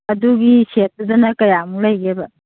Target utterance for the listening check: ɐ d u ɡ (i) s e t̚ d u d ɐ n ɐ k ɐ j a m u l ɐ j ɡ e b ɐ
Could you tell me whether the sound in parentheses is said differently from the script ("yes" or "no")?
no